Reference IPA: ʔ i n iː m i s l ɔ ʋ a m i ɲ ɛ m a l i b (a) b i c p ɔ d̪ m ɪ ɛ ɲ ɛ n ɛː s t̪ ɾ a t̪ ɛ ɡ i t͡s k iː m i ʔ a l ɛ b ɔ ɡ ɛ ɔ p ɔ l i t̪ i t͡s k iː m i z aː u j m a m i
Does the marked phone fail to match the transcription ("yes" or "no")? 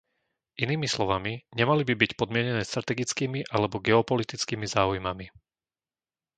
yes